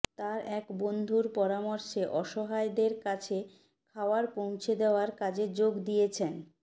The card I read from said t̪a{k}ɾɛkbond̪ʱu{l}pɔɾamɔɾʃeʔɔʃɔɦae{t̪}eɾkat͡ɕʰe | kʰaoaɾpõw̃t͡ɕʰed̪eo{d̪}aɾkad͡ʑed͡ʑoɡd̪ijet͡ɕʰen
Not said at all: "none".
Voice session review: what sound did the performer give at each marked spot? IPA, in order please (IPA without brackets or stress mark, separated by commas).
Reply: none, ɾ, d̪, none